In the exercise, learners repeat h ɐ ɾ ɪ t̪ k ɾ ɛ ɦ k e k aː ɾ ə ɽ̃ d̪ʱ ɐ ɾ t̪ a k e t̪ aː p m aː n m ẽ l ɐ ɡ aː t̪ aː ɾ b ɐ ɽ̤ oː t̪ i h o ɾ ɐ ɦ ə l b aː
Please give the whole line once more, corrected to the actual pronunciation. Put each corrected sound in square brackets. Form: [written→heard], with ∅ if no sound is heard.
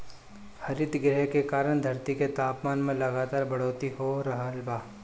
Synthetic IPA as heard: h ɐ ɾ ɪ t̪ [k→ɡ] ɾ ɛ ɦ k e k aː ɾ ə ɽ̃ d̪ʱ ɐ ɾ t̪ [a→i] k e t̪ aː p m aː n m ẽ l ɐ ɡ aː t̪ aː ɾ b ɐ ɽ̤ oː t̪ i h o ɾ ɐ ɦ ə l b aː

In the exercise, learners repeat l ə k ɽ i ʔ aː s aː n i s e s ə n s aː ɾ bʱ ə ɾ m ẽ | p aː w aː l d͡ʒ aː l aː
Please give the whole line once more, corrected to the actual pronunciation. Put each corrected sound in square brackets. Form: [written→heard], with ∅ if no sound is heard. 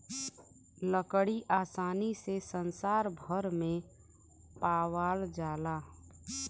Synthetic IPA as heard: l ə k ɽ i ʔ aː s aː n i s e s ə n s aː ɾ bʱ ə ɾ m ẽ | p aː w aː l d͡ʒ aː l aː

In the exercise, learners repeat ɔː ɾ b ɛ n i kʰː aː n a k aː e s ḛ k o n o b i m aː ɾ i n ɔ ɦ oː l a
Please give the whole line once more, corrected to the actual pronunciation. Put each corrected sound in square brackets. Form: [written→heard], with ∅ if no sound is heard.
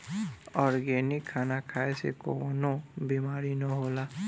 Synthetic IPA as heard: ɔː ɾ [b→ɡ] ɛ n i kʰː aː n a [k→kʰ] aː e s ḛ k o n o b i m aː ɾ i n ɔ ɦ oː l a

